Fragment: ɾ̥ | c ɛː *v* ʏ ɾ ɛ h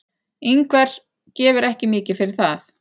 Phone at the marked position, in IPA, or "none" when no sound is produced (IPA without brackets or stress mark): v